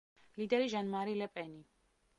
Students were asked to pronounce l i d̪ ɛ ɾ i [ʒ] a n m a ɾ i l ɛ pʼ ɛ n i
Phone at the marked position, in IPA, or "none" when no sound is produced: ʒ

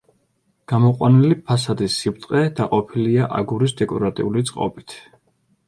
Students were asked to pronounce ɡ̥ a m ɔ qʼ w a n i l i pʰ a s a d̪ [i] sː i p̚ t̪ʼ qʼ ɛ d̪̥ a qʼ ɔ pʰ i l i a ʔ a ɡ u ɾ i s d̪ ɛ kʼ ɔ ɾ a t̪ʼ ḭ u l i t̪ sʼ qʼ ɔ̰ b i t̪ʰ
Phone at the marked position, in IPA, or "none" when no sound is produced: i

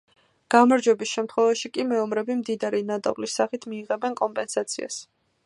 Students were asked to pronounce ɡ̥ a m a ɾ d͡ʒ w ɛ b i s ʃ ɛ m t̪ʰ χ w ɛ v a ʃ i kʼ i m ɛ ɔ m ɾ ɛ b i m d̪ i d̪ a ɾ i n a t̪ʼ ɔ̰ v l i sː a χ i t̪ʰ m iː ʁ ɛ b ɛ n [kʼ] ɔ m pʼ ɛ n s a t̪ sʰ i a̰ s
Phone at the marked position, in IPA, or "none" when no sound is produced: kʼ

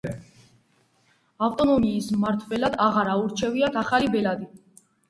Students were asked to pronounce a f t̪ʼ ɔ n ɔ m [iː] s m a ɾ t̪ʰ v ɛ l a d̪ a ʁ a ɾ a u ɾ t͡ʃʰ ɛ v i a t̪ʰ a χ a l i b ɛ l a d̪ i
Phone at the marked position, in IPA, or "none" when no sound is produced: iː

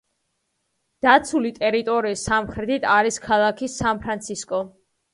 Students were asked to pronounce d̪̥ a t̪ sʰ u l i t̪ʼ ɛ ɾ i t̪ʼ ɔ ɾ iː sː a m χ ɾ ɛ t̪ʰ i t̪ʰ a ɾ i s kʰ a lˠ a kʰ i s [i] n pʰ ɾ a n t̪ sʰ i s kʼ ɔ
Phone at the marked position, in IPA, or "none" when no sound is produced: a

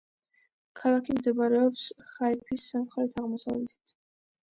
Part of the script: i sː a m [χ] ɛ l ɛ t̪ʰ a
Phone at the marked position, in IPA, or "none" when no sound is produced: χ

